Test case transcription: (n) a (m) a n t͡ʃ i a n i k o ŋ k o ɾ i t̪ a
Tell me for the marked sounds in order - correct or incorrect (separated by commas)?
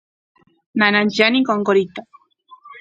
correct, incorrect